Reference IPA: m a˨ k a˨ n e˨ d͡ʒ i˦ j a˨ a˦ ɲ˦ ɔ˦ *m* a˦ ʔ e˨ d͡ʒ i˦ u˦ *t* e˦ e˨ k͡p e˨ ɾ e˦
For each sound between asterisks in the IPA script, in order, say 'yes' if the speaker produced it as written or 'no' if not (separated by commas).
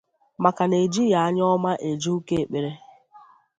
yes, no